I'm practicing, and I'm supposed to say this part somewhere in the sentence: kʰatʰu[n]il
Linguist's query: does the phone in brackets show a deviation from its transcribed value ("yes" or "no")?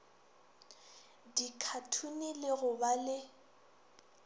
no